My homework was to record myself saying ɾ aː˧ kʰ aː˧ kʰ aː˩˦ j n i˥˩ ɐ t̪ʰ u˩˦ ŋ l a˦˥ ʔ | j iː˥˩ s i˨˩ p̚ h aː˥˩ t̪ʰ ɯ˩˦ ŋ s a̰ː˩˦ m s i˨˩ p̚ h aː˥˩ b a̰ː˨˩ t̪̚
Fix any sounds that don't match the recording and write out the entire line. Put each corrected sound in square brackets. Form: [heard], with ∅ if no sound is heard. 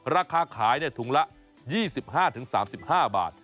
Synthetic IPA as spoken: ɾ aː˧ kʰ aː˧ kʰ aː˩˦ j n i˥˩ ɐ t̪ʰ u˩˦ ŋ l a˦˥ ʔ | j iː˥˩ s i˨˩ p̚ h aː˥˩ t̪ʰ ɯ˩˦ ŋ s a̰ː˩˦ m s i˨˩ p̚ h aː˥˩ b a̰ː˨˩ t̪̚